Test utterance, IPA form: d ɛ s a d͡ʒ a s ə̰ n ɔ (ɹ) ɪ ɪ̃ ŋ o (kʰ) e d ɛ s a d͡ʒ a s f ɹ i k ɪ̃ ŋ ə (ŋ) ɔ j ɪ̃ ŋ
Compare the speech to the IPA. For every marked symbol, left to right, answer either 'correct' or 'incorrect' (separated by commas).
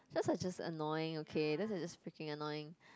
incorrect, correct, incorrect